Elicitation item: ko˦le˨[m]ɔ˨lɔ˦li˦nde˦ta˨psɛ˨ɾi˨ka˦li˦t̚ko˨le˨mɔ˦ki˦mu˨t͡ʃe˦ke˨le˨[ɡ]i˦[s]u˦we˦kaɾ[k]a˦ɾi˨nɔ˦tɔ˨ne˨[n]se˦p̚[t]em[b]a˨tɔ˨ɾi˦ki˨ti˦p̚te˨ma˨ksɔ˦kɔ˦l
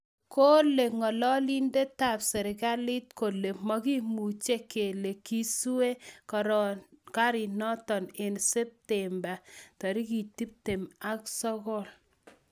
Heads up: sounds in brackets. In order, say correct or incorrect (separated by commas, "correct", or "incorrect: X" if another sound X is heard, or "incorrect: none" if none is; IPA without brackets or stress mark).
incorrect: ŋ, incorrect: k, correct, correct, correct, correct, correct